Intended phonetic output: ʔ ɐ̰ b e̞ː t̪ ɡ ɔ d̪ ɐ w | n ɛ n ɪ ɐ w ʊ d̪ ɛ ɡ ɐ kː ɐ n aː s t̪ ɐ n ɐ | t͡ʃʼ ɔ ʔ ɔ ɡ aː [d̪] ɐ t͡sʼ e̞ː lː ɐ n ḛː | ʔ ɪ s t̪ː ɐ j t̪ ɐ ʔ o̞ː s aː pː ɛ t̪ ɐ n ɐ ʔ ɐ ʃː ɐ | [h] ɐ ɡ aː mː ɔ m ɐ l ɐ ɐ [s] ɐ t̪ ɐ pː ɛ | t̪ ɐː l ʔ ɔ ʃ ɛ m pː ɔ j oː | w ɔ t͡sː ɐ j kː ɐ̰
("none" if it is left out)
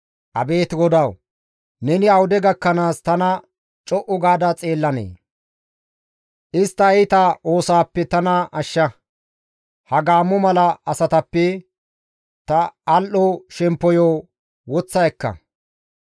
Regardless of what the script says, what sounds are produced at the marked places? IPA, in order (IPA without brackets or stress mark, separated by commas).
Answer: d̪, h, s